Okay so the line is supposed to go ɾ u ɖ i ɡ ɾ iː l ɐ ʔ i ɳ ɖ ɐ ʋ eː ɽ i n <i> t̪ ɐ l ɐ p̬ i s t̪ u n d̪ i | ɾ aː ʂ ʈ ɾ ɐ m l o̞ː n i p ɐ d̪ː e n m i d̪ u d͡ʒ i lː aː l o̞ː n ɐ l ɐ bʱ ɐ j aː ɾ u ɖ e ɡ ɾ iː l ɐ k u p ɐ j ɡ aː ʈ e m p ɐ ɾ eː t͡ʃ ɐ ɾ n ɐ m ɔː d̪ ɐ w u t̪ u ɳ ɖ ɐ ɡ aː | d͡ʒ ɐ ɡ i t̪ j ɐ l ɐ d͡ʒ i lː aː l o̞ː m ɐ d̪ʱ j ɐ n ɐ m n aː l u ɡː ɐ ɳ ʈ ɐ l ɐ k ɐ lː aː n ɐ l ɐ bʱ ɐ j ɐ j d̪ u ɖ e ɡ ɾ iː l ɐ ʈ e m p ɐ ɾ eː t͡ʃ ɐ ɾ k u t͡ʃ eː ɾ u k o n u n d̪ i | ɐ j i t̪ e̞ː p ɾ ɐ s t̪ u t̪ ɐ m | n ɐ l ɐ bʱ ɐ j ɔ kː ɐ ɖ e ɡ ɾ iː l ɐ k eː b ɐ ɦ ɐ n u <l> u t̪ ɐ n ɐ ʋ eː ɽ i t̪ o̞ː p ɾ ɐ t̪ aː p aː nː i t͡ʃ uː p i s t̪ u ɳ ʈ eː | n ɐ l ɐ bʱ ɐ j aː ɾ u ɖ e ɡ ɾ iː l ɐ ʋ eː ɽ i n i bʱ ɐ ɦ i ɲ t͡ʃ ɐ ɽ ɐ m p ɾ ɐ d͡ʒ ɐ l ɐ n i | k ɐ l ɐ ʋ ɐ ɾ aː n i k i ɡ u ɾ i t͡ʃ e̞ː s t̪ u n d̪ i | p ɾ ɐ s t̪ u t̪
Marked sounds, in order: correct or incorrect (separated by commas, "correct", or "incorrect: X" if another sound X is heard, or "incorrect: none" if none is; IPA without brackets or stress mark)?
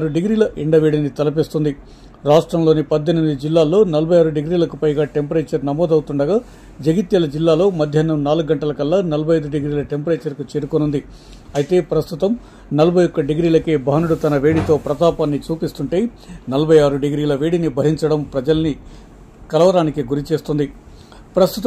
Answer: correct, incorrect: ɽ